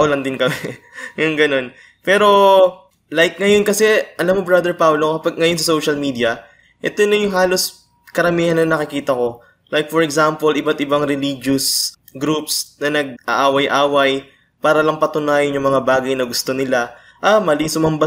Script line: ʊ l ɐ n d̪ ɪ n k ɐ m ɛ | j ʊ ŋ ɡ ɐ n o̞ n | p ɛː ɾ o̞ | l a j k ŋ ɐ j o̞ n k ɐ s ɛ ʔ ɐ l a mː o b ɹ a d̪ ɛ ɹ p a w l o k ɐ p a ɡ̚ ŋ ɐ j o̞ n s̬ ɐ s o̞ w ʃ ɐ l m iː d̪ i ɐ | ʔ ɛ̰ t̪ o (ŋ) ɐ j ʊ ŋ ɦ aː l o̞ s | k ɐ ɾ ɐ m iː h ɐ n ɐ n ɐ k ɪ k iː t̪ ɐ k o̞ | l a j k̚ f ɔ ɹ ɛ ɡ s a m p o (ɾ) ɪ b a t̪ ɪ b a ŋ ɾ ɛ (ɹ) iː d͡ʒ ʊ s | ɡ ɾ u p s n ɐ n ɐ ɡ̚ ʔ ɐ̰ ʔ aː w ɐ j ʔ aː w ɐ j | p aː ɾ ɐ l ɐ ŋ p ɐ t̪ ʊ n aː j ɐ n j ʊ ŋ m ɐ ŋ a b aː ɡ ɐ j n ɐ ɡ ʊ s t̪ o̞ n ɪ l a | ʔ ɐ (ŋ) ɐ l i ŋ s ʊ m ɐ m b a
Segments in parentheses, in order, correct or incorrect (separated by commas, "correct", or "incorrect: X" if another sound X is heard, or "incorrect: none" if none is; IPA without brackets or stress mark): incorrect: n, incorrect: l, incorrect: l, incorrect: m